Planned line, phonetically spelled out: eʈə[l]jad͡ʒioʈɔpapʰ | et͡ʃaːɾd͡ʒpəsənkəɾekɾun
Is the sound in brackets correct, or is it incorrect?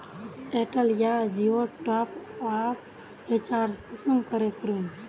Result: correct